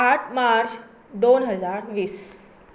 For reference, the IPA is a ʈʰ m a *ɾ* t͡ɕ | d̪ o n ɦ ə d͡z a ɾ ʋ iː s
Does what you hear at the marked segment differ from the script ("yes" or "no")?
no